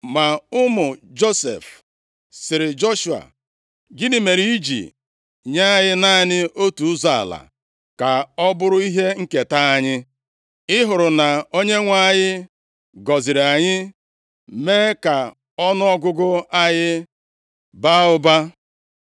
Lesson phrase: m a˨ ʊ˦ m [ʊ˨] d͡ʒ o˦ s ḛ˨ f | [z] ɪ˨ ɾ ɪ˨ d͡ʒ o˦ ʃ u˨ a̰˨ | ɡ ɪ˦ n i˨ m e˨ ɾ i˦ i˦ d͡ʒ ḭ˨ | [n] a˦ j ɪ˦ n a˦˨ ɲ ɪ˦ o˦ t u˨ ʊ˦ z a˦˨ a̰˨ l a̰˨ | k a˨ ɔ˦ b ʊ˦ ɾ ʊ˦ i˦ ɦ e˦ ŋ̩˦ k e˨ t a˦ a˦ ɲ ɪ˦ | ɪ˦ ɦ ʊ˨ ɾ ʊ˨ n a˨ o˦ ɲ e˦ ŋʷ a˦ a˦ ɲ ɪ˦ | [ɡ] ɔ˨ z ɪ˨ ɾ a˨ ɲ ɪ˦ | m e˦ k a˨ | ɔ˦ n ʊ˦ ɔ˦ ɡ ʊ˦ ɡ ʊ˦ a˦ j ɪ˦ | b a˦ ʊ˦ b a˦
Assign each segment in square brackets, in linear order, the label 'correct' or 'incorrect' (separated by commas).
correct, incorrect, incorrect, correct